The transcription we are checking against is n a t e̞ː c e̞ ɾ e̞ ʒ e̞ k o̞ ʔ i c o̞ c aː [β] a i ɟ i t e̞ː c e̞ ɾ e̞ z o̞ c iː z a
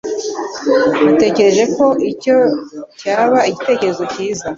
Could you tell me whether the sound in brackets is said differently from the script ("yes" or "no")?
no